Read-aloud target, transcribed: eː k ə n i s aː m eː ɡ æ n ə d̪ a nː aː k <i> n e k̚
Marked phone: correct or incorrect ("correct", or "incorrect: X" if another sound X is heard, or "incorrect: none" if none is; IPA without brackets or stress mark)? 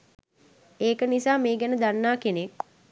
incorrect: e